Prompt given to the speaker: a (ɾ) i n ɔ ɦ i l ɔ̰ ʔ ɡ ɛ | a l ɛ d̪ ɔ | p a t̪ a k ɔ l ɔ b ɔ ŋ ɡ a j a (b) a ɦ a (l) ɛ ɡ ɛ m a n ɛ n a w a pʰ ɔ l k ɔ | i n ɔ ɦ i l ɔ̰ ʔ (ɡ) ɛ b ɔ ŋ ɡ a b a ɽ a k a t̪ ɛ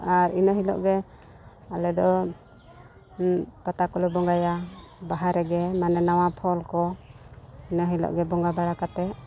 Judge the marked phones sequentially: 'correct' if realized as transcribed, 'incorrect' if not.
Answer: correct, correct, incorrect: ɾ, correct

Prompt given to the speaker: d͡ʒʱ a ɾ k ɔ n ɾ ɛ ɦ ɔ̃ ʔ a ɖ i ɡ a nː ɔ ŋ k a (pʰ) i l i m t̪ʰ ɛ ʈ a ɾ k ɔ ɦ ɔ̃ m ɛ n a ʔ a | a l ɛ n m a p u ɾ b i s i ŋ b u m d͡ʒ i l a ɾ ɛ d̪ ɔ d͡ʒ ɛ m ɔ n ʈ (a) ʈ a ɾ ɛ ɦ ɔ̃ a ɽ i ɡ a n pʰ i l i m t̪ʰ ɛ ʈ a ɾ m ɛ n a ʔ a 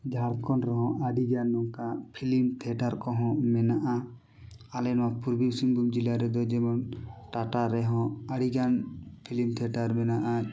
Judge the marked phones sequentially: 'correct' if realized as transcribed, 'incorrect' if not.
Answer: correct, correct

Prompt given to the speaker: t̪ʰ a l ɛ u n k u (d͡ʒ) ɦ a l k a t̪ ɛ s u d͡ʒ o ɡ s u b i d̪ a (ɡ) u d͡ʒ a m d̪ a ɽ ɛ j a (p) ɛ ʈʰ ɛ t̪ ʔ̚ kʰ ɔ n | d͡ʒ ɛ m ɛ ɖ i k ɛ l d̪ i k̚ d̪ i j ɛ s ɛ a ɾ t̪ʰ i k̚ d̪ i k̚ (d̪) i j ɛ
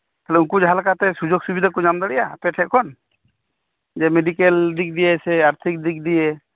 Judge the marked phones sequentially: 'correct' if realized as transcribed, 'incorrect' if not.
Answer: correct, incorrect: k, correct, correct

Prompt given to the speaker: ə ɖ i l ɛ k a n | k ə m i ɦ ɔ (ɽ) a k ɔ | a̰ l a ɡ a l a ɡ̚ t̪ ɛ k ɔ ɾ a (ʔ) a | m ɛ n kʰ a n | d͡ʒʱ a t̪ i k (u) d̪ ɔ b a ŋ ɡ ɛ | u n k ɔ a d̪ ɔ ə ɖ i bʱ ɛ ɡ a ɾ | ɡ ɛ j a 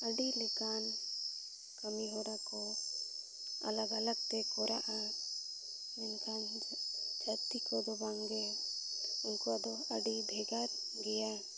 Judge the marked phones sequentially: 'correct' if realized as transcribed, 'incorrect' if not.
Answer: incorrect: ɾ, correct, incorrect: ɔ

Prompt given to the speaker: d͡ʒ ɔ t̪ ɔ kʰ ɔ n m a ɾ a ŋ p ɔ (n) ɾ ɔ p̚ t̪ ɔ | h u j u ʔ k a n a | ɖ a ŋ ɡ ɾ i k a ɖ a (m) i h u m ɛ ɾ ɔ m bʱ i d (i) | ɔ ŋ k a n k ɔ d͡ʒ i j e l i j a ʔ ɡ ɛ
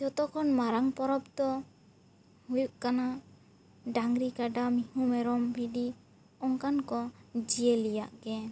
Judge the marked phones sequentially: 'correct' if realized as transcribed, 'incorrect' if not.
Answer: incorrect: none, correct, correct

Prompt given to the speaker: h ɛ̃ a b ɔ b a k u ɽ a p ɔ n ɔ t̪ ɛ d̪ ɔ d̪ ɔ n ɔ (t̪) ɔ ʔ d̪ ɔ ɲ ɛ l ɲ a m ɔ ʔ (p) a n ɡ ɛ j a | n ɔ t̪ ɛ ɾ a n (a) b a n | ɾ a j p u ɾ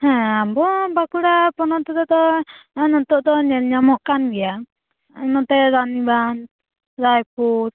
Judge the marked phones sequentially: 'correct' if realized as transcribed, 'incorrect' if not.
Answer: correct, incorrect: k, incorrect: i

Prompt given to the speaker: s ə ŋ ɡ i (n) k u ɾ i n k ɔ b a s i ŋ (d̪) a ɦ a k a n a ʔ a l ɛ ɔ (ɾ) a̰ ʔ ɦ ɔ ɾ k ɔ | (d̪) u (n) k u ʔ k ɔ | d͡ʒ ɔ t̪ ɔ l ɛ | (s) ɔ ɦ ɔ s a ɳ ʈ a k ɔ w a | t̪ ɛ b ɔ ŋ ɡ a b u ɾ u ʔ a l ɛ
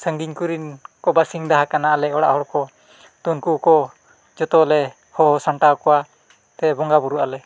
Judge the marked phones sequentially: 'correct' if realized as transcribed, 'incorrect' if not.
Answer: incorrect: ɲ, correct, incorrect: ɽ, incorrect: t̪, correct, incorrect: h

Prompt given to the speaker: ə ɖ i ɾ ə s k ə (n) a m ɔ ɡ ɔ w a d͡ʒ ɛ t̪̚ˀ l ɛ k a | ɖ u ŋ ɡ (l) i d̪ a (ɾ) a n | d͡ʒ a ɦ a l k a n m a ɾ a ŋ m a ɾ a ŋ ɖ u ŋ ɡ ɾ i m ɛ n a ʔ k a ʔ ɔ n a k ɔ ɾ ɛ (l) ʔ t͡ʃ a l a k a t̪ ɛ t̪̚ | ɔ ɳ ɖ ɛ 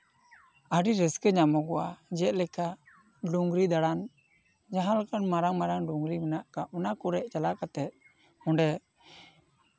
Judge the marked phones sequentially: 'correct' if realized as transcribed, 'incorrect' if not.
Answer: incorrect: ɲ, incorrect: ɾ, incorrect: ɽ, incorrect: none

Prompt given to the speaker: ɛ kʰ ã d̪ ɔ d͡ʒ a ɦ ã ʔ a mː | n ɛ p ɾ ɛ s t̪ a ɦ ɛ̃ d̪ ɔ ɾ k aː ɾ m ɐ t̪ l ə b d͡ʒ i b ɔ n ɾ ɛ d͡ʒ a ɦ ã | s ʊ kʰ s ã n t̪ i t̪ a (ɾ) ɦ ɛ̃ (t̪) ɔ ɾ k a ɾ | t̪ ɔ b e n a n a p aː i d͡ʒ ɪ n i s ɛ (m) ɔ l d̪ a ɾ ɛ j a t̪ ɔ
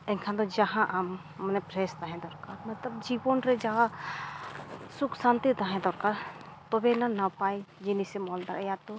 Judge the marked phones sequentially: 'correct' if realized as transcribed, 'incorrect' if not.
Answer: incorrect: none, incorrect: d̪, correct

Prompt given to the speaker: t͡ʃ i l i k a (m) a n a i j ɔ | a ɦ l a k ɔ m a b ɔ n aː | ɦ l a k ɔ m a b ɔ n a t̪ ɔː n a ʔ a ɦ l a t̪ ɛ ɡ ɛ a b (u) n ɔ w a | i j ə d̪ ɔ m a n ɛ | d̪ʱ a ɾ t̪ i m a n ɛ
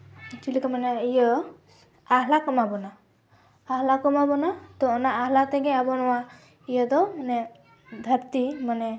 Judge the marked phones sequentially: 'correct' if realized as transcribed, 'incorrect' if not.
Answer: correct, incorrect: ɔ

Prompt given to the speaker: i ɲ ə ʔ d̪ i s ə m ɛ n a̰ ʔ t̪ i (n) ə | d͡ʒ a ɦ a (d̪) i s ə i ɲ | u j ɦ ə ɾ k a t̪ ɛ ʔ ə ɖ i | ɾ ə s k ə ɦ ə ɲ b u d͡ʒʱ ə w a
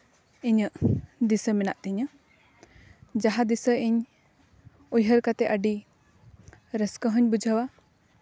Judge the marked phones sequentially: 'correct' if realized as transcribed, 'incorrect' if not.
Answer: incorrect: ɲ, correct

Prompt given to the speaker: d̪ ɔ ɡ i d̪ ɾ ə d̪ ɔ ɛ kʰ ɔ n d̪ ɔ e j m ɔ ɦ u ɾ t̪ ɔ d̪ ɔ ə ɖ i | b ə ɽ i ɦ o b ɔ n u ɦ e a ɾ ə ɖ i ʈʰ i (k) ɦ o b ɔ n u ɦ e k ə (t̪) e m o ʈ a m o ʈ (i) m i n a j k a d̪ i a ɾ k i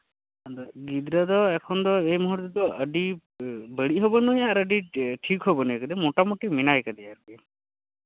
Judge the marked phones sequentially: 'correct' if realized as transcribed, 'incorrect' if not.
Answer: correct, incorrect: d̪, correct

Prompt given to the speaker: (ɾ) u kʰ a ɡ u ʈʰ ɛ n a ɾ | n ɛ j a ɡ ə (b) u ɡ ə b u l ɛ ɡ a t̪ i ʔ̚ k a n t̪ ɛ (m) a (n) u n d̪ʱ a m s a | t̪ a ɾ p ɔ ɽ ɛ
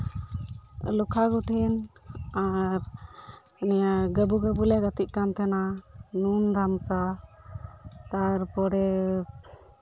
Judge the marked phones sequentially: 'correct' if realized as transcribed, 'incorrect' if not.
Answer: incorrect: l, correct, incorrect: n, correct

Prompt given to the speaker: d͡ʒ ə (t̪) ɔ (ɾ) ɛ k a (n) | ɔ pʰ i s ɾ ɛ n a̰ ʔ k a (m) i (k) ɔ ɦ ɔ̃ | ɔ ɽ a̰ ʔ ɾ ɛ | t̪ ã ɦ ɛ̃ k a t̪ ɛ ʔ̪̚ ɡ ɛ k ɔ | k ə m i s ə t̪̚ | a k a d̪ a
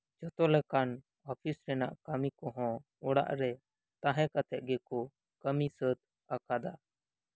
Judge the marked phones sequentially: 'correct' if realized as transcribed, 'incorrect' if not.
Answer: correct, incorrect: l, correct, correct, correct

